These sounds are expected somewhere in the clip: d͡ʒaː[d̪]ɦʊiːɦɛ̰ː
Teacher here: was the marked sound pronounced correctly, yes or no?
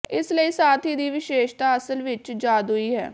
yes